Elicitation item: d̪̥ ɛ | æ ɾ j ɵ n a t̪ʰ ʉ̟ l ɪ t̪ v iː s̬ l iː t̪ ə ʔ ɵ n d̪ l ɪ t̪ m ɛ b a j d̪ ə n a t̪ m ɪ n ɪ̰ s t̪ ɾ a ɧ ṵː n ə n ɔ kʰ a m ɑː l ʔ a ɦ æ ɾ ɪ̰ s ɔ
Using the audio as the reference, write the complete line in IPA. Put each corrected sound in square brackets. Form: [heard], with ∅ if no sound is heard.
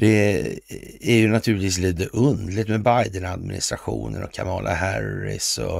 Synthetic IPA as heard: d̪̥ ɛ | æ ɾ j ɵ n a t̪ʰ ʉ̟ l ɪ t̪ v iː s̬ l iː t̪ ə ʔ ɵ n d̪ l ɪ t̪ m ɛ b a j d̪ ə n a [d̪] m ɪ n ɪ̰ s t̪ ɾ a ɧ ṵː n ə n ɔ kʰ a m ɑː l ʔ a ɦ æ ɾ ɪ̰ s ɔ